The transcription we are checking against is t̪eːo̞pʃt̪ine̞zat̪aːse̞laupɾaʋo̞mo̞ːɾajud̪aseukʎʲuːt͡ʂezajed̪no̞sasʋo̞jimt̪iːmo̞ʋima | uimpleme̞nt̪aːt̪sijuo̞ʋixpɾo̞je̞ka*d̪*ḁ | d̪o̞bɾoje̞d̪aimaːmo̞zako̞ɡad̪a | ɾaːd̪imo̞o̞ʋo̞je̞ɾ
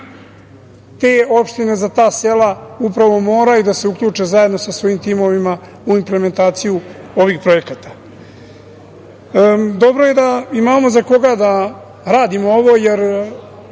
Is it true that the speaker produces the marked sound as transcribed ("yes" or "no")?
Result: no